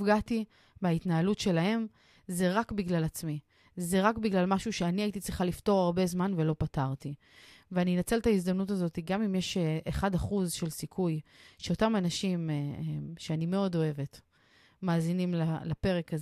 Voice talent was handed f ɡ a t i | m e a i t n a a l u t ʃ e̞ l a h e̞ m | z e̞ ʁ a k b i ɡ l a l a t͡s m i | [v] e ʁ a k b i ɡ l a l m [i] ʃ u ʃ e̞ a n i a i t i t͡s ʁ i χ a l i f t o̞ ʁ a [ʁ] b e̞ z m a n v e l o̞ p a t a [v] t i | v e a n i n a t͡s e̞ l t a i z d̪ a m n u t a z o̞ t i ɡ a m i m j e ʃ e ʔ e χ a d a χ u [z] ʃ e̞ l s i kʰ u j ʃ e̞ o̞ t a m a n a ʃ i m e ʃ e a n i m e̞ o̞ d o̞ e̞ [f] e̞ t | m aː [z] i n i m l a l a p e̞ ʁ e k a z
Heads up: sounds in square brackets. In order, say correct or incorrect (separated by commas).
incorrect, incorrect, correct, incorrect, correct, incorrect, correct